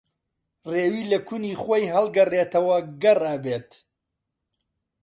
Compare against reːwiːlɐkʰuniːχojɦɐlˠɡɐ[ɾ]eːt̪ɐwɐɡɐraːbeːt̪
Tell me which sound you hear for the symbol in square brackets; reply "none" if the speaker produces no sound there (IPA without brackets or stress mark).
r